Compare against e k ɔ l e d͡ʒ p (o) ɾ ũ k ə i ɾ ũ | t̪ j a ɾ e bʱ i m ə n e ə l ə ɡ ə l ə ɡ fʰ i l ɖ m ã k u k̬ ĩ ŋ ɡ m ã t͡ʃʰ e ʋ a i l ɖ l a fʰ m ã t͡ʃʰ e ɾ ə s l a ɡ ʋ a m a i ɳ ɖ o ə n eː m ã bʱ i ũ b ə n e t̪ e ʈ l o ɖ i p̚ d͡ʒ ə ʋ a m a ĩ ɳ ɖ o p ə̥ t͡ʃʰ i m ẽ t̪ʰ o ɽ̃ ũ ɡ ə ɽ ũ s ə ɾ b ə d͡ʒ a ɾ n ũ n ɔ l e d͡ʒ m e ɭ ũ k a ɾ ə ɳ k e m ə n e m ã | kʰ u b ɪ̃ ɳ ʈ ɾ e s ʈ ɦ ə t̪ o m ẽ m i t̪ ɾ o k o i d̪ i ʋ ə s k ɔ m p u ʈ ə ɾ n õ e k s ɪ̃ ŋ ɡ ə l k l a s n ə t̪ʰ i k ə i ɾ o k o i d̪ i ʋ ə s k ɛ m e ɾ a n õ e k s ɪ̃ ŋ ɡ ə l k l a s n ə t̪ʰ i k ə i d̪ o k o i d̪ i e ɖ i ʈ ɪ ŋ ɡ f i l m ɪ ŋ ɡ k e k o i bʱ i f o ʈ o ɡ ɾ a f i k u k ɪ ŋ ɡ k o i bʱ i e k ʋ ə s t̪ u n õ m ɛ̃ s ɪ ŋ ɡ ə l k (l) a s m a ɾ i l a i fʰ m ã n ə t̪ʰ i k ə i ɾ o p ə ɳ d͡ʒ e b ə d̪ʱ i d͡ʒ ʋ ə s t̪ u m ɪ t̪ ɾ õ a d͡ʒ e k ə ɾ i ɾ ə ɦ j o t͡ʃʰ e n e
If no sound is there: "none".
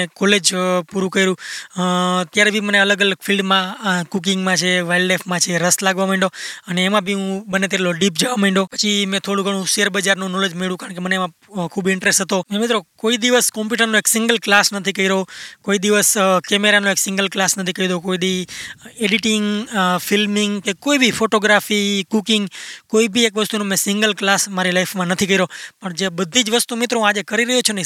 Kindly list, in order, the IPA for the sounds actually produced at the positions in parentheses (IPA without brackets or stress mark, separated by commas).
u, l